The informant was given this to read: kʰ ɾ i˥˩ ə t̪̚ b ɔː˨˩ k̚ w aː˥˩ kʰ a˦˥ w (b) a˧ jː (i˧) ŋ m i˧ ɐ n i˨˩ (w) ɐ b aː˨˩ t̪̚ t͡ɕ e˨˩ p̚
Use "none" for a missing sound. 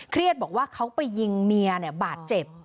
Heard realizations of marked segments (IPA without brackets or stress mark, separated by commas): p, i˧, none